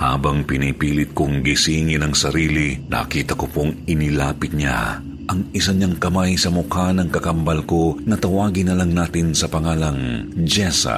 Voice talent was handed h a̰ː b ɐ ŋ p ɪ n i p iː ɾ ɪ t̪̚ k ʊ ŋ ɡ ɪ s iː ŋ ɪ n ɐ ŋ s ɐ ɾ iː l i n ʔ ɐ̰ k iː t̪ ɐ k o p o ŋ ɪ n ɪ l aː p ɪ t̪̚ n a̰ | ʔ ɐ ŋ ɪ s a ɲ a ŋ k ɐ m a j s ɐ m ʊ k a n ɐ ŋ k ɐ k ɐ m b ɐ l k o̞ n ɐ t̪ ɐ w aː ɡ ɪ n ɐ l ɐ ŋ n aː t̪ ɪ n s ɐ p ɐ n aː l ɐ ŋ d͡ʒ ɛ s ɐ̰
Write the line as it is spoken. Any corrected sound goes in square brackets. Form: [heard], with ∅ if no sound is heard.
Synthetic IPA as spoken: h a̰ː b ɐ ŋ p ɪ n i p iː [l] ɪ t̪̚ k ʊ ŋ ɡ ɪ s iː ŋ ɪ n ɐ ŋ s ɐ ɾ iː l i n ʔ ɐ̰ k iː t̪ ɐ k o p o ŋ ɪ n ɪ l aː p ɪ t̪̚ [ɲ] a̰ | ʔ ɐ ŋ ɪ s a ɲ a ŋ k ɐ m a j s ɐ m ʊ k a n ɐ ŋ k ɐ k ɐ m b ɐ l k o̞ n ɐ t̪ ɐ w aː ɡ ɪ n ɐ l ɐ ŋ n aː t̪ ɪ n s ɐ p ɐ [ŋ] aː l ɐ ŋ d͡ʒ ɛ s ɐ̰